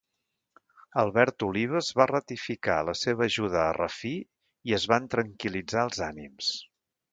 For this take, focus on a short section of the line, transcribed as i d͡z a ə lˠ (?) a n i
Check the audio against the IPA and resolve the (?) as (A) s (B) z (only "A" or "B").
B